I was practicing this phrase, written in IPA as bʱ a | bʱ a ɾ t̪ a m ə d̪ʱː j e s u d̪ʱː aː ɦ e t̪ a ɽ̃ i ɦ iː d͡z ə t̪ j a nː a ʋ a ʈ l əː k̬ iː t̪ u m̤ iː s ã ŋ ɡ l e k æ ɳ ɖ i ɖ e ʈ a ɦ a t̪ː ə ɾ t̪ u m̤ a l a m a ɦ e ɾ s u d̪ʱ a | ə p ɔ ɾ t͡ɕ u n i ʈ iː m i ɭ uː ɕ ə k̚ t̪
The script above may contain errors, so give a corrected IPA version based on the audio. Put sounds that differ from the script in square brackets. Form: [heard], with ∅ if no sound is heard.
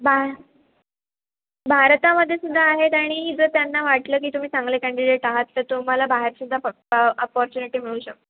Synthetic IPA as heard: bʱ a | bʱ a ɾ t̪ a m ə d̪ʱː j e s u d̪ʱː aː ɦ e t̪ a ɽ̃ i ɦ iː d͡z ə t̪ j a nː a ʋ a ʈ l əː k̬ iː t̪ u m̤ iː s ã ŋ ɡ l e k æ ɳ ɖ i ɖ e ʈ a ɦ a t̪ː ə ɾ t̪ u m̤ a l a [b] a ɦ e ɾ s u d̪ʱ a | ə p ɔ ɾ t͡ɕ u n i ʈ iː m i ɭ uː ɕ ə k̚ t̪